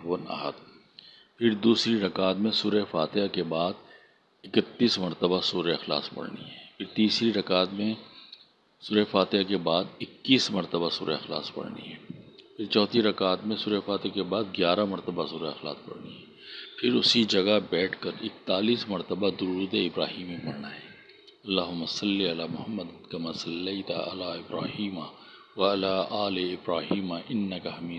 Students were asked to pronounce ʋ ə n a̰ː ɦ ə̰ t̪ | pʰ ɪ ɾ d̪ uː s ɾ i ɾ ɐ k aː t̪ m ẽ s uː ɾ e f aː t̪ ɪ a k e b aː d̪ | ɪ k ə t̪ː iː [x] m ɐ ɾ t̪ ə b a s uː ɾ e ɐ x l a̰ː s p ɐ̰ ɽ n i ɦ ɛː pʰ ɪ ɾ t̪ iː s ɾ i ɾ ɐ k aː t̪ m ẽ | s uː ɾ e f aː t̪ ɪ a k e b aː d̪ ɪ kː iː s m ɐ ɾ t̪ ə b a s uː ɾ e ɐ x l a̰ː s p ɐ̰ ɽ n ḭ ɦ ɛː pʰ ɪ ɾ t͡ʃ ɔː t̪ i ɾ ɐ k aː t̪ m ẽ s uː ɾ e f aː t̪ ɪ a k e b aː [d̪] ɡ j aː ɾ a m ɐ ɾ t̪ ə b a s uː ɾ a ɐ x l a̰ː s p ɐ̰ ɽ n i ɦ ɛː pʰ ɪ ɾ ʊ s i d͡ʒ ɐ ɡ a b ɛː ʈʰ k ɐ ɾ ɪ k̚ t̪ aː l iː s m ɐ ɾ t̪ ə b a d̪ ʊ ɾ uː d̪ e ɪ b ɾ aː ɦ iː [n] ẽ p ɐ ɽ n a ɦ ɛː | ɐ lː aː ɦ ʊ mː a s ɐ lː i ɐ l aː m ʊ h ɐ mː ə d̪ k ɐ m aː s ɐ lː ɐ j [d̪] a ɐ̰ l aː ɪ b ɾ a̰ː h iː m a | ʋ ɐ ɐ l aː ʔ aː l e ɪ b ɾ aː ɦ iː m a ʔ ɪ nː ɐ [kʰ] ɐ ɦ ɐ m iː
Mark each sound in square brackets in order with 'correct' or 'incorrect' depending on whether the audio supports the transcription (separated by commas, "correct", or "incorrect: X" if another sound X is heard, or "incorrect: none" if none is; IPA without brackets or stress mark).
incorrect: s, correct, incorrect: m, incorrect: t̪, incorrect: k